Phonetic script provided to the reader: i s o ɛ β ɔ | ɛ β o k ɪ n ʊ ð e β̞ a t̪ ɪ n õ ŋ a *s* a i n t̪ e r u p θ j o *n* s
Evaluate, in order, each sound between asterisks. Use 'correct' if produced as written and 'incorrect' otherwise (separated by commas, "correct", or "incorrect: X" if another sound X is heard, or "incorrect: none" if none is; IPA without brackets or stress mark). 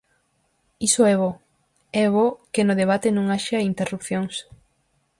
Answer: incorrect: ʃ, incorrect: ŋ